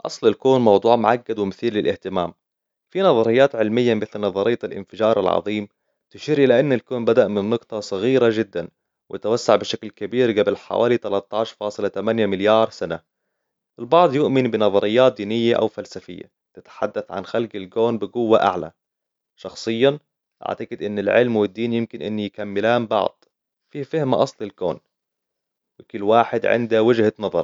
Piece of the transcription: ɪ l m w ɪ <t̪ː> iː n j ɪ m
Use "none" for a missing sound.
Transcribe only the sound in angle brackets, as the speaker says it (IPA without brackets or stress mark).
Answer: d̪ː